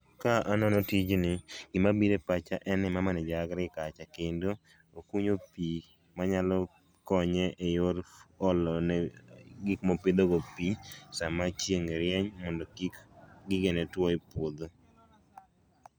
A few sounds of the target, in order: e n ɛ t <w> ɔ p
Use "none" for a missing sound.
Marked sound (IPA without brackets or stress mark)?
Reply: w